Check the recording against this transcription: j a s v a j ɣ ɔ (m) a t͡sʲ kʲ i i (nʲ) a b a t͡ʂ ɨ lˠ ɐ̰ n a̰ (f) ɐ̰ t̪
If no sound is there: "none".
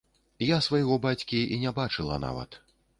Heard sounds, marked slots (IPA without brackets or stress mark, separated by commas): b, nʲ, v